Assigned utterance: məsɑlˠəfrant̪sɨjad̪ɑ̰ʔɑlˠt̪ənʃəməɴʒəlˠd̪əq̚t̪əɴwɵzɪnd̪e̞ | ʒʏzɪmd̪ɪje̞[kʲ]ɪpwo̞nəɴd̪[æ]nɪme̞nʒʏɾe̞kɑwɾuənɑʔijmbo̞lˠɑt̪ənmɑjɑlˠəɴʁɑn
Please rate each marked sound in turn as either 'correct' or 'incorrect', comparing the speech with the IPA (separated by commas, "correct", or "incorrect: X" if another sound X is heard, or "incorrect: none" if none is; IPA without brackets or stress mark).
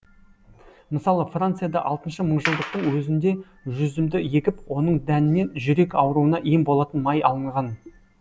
correct, correct